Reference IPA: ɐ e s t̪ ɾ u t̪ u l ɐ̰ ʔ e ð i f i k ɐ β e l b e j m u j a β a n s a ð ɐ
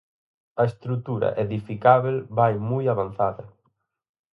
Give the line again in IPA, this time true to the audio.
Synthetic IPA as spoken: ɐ e s t̪ ɾ u t̪ u ɾ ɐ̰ ʔ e ð i f i k a β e l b a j m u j a β a n θ a ð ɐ